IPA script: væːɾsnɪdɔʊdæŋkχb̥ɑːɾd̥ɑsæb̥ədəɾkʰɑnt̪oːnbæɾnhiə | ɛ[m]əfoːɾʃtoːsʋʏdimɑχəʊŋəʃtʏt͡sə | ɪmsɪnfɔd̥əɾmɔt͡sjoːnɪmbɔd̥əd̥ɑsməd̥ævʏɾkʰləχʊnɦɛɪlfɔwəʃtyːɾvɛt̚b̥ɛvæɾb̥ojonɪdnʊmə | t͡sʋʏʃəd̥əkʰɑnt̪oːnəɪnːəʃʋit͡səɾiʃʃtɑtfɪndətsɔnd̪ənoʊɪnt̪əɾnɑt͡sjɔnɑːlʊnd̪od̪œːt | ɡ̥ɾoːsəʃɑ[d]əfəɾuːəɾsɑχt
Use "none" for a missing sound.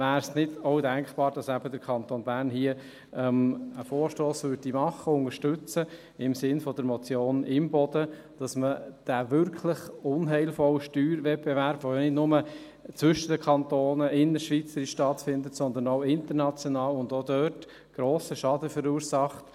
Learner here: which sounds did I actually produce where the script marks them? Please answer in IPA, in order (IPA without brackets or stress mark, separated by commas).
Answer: m, d